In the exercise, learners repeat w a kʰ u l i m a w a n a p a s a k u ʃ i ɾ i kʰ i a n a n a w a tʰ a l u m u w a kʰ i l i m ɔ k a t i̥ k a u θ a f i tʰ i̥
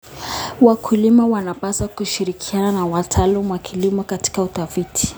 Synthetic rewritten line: w a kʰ u l i m a w a n a p a s a k u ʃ i ɾ i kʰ i a n a n a w a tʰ a l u m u w a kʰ i l i m ɔ k a t i̥ k a u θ a f i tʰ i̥